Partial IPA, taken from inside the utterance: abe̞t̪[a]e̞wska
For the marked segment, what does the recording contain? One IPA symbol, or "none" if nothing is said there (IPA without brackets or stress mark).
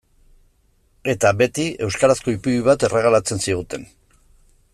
i